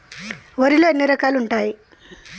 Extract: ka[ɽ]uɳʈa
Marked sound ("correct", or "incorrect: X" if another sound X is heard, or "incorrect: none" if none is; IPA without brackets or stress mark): incorrect: l